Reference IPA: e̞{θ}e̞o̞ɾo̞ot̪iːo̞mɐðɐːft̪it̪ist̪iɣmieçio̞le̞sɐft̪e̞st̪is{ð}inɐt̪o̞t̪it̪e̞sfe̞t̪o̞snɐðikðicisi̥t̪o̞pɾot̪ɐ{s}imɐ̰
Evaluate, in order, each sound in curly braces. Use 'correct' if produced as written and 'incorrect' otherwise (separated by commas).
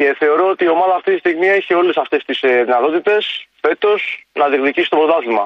correct, correct, incorrect